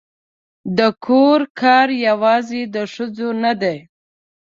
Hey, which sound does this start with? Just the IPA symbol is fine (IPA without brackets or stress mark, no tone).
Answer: d̪